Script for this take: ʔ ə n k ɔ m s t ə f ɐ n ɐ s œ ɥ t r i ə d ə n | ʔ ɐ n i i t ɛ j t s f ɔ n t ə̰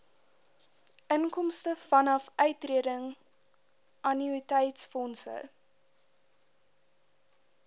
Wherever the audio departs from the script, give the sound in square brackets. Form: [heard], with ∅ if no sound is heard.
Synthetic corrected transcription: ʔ ə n k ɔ m s t ə f ɐ n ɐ [f] œ ɥ t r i ə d ə [ŋ] | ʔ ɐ n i i t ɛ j t s f ɔ n [s] ə̰